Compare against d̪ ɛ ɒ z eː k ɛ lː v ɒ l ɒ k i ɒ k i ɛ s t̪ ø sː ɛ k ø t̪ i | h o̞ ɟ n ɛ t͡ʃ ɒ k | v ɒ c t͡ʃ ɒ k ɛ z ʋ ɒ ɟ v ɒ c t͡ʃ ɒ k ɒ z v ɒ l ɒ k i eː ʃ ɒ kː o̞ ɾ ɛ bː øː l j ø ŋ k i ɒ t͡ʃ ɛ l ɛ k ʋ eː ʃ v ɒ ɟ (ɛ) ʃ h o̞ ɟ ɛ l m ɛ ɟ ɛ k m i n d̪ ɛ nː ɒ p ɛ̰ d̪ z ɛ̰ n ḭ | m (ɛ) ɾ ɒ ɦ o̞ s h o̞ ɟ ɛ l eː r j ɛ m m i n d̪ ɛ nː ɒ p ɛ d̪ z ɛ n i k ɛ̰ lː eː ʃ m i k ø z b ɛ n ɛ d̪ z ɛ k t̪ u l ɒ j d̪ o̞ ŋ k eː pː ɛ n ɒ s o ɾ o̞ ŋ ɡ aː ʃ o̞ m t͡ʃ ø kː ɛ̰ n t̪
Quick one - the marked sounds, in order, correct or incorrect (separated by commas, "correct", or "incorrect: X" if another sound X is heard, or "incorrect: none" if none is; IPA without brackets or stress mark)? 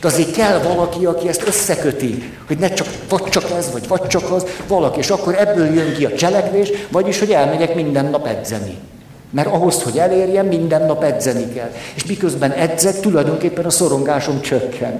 incorrect: i, correct